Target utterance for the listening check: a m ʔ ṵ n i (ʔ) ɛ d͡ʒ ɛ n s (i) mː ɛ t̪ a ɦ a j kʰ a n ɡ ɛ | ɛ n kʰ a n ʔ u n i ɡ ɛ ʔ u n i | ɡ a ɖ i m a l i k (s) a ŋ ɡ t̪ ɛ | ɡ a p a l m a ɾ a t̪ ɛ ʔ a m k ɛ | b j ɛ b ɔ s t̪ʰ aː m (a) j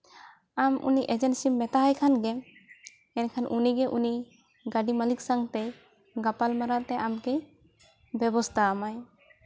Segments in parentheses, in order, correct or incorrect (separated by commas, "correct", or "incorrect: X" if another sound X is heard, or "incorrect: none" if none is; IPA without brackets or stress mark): correct, correct, correct, correct